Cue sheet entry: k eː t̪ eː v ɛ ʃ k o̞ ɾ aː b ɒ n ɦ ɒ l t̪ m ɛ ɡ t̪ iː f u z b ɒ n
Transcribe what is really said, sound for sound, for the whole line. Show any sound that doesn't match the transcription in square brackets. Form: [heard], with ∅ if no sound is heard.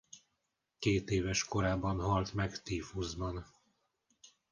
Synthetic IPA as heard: k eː t̪ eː v ɛ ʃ k o̞ ɾ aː b ɒ n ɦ ɒ l t̪ m ɛ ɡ t̪ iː f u z b ɒ n